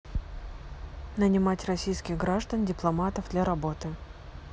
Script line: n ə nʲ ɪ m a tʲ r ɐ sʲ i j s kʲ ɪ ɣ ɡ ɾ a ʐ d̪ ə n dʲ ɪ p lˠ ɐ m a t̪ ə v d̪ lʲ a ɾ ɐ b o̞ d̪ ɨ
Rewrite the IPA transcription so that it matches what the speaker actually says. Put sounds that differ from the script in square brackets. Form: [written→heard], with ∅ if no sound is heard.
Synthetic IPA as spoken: n ə nʲ ɪ m a tʲ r ɐ sʲ i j s kʲ ɪ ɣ ɡ ɾ a ʐ d̪ ə n dʲ ɪ p lˠ ɐ m a t̪ ə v d̪ lʲ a ɾ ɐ b o̞ [d̪→t̪] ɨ